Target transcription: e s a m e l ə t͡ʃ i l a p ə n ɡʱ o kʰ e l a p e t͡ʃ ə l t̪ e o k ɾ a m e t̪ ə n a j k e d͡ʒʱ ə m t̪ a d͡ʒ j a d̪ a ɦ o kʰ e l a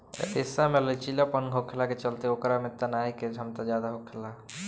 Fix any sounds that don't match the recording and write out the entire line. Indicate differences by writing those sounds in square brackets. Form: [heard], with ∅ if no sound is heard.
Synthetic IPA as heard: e s a m e l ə t͡ʃ i l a p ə n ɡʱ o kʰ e l a [k] e t͡ʃ ə l t̪ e o k ɾ a m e t̪ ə n a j k e d͡ʒʱ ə m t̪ a d͡ʒ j a d̪ a ɦ o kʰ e l a